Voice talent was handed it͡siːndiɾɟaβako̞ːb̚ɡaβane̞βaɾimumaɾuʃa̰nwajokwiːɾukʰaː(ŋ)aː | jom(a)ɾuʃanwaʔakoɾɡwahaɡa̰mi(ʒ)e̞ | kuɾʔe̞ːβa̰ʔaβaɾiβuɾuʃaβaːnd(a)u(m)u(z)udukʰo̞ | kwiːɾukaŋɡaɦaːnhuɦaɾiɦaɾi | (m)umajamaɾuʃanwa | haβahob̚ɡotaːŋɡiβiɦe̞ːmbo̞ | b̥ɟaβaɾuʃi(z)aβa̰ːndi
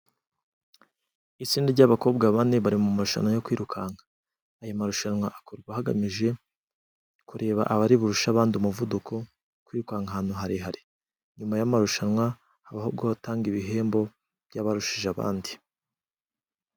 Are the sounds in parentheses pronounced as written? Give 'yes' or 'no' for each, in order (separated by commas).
yes, yes, yes, no, yes, no, no, no